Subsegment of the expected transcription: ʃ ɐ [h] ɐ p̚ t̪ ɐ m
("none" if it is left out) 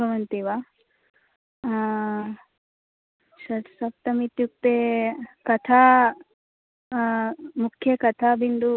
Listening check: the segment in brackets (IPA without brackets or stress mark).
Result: s